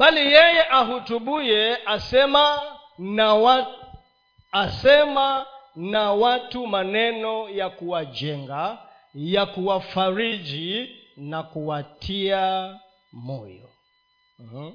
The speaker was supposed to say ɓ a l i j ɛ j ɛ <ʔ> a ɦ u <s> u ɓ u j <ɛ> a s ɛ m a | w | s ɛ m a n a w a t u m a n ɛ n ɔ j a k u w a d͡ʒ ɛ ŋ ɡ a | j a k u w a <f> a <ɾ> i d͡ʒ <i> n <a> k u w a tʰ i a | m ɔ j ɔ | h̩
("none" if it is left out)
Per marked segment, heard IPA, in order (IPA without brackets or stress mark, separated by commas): ʔ, t, ɛ, f, ɾ, i, a